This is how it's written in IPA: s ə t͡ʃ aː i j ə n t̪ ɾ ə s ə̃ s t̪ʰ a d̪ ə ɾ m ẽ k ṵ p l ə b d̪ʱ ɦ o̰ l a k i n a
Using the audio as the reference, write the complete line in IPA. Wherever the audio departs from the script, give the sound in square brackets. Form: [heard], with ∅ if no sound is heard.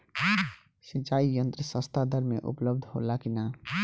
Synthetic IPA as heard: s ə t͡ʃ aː i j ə n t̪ ɾ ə s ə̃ s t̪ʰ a d̪ ə ɾ m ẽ [ʔ] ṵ p l ə b d̪ʱ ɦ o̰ l a k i n a